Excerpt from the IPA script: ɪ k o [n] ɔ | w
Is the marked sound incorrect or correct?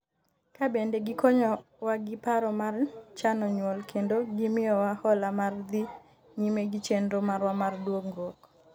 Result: incorrect